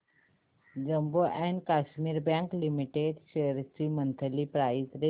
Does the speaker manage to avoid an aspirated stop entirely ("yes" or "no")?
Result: no